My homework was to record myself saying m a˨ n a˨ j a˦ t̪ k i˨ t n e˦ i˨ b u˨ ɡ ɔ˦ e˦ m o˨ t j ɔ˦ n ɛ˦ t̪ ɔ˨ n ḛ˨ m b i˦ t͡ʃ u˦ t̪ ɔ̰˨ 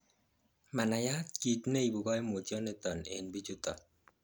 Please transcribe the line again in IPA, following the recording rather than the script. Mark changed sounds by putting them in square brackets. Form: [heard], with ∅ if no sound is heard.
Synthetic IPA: m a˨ n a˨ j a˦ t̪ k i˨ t n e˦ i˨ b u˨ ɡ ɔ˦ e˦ m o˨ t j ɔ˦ n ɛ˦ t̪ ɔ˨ n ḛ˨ [n] b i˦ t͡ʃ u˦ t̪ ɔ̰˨

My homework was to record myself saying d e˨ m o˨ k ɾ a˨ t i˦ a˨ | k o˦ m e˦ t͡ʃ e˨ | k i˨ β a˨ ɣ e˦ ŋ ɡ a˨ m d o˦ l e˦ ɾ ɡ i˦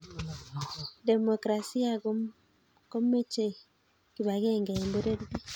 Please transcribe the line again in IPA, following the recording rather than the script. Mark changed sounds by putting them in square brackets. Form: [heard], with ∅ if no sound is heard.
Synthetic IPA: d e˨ m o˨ k ɾ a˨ [s] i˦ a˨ | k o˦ m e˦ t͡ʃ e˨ | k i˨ β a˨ ɣ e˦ ŋ ɡ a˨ m [b] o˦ [ɾ] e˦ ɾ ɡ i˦

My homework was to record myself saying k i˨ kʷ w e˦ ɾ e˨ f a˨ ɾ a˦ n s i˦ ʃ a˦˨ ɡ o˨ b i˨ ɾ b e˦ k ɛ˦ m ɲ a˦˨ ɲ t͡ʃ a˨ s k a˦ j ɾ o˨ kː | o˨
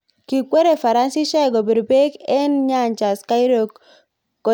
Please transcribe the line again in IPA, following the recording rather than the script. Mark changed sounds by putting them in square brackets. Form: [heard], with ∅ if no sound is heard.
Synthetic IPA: k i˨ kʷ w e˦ ɾ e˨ f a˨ ɾ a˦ n s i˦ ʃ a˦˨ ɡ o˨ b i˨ ɾ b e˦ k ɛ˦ [n] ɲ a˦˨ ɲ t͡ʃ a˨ s k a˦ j ɾ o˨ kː | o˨

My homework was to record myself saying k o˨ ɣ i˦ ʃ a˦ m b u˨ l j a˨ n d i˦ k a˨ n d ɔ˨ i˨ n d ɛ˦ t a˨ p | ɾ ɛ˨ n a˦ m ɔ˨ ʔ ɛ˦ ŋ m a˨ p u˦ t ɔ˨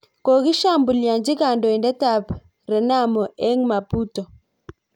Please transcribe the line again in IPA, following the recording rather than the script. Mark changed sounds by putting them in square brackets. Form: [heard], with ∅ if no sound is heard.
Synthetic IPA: k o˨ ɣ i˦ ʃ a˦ m b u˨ l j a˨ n [d͡ʒ] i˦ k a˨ n d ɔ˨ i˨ n d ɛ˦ t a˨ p | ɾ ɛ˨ n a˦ m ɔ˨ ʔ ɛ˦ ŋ m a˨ p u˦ t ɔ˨

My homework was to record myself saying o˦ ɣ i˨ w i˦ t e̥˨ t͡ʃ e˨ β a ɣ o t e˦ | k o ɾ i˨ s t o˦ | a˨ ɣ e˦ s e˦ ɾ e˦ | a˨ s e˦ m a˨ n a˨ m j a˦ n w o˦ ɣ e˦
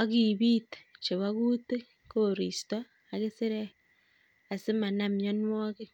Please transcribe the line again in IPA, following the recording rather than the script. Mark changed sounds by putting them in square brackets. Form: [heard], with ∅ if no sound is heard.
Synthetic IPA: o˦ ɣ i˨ [β] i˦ t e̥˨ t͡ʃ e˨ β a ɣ [u] t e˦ | k o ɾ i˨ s t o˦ | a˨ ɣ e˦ s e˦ ɾ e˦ | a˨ s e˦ m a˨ n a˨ m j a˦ n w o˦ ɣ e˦

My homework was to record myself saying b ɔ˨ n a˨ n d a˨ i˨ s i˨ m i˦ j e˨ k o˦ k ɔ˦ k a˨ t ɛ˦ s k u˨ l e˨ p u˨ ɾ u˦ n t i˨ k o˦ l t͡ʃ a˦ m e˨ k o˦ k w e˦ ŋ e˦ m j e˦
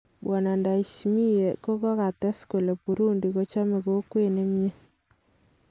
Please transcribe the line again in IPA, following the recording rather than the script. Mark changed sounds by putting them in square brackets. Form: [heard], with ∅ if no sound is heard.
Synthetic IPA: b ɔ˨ n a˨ n d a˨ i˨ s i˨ m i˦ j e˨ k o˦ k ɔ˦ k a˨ t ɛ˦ s k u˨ l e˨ p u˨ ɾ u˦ n [d] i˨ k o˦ [∅] t͡ʃ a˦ m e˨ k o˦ k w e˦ [n] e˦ m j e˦

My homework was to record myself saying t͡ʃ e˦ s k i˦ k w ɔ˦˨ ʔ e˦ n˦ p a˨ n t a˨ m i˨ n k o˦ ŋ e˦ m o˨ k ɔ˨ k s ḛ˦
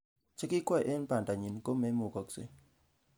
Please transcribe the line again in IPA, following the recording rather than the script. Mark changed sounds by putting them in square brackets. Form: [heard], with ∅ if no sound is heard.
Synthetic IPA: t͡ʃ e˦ [∅] k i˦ k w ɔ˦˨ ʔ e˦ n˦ p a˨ n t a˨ [ɲ] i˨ n k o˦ [m] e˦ m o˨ k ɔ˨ k s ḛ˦

